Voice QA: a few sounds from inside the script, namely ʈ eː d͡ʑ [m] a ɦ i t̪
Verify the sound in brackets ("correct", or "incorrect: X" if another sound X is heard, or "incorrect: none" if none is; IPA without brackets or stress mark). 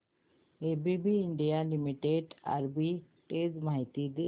correct